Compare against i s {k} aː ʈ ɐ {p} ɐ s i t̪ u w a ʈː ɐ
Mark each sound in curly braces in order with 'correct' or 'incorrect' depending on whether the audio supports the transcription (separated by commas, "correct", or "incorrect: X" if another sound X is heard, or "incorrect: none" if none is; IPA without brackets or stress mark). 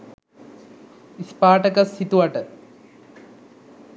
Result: incorrect: p, incorrect: k